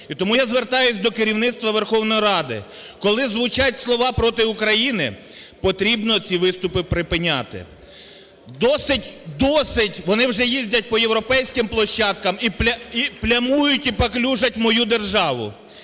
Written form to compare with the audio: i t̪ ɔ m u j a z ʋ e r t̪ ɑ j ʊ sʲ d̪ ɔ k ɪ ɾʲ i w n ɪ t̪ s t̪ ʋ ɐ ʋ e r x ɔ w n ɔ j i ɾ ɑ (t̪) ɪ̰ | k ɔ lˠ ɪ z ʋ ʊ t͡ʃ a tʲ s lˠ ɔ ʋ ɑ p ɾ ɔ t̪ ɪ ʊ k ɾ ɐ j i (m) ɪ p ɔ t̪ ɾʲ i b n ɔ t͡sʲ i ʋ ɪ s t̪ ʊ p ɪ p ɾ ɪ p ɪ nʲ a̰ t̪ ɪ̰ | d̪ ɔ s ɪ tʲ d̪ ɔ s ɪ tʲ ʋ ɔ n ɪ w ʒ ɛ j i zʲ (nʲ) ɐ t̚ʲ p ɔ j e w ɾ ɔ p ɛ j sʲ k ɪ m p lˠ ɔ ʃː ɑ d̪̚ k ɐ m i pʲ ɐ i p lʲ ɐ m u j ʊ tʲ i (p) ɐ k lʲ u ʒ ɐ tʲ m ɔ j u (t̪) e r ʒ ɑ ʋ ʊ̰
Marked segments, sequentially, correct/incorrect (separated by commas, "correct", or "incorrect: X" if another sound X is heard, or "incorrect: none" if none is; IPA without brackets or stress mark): incorrect: d̪, incorrect: n, incorrect: dʲ, correct, incorrect: d̪